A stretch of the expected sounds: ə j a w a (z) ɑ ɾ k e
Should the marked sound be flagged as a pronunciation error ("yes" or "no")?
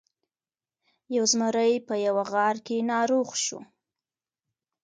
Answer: yes